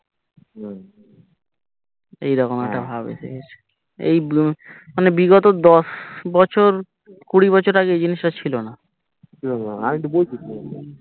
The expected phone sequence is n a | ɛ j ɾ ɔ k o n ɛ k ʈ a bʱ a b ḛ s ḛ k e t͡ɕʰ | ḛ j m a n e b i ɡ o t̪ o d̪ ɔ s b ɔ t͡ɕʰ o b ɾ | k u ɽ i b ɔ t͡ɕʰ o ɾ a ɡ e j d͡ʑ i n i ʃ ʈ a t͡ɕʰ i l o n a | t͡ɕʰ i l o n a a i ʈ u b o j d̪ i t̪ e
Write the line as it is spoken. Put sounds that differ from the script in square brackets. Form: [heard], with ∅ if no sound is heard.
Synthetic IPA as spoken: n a | [e] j ɾ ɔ k o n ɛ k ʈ a bʱ a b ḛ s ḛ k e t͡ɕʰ | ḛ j m a n e b i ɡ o t̪ o d̪ ɔ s b ɔ t͡ɕʰ o [∅] ɾ | k u ɽ i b ɔ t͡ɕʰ o ɾ a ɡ e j d͡ʑ i n i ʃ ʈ a t͡ɕʰ i l o n a | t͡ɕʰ i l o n a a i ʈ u b o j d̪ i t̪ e